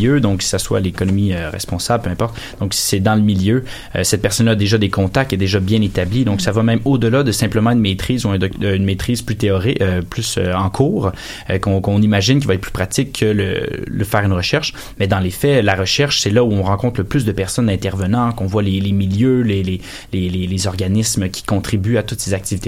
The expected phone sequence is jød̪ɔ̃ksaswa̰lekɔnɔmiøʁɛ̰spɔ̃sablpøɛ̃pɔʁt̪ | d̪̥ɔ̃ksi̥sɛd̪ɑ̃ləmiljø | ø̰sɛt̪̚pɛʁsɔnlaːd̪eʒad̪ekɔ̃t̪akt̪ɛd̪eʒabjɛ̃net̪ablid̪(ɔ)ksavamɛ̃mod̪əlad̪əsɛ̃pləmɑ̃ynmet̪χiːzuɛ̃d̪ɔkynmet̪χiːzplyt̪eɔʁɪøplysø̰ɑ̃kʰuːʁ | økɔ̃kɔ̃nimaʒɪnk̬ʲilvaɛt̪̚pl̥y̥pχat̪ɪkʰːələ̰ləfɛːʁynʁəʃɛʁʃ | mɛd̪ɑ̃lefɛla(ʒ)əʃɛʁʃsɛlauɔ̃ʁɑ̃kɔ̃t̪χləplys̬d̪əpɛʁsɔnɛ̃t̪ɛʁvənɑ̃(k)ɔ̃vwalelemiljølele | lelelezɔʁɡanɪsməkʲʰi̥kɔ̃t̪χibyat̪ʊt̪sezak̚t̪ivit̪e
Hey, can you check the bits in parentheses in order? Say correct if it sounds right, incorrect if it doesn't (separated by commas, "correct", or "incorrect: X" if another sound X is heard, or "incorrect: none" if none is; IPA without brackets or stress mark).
incorrect: ɔ̃, incorrect: ʁ, correct